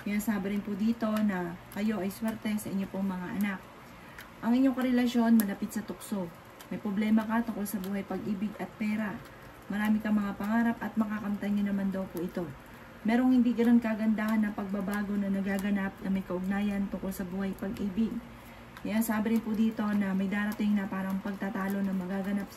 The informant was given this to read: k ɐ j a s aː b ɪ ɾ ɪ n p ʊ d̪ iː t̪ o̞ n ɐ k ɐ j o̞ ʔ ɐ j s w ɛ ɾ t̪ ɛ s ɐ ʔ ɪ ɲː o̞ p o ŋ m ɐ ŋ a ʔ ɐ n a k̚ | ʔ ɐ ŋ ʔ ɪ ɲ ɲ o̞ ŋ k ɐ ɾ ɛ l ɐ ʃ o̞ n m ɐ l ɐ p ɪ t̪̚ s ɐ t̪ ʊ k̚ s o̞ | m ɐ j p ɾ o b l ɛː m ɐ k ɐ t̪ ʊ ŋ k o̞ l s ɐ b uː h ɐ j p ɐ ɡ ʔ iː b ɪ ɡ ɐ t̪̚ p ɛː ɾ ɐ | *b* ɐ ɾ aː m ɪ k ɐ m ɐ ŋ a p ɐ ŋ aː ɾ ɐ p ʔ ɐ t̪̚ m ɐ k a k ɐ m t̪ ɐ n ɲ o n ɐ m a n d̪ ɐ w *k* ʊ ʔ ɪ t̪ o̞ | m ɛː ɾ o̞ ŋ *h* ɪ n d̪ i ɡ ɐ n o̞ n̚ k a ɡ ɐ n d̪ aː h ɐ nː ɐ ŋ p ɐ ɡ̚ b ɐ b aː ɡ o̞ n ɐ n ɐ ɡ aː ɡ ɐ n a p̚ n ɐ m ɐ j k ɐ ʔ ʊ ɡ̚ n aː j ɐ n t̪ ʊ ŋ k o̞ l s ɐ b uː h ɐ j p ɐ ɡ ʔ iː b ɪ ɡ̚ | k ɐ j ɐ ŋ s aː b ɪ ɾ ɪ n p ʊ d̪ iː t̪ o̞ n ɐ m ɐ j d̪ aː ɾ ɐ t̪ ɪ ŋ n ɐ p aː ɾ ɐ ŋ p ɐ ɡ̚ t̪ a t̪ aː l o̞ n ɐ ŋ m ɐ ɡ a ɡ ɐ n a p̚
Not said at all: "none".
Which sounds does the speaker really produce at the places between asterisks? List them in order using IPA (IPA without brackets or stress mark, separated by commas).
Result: m, p, h